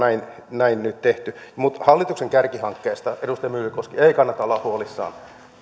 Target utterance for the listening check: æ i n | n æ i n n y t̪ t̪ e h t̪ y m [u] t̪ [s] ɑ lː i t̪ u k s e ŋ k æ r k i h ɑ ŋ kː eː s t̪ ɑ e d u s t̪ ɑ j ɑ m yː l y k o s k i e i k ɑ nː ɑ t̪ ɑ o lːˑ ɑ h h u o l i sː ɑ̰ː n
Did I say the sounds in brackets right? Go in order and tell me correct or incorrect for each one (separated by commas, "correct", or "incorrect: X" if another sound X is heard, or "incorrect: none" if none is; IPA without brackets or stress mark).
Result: correct, incorrect: h